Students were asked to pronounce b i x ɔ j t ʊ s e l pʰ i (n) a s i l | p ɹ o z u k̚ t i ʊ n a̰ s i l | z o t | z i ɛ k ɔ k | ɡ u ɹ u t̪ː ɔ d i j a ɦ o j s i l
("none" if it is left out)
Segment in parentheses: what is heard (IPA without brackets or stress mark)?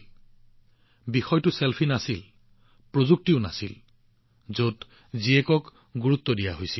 n